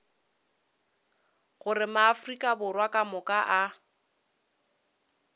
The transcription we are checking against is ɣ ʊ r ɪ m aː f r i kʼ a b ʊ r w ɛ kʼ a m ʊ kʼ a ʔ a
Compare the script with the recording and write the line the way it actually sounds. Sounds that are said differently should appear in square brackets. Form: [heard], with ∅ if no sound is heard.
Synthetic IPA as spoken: ɣ ʊ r ɪ m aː f r i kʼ a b ʊ r w [a] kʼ a m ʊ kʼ a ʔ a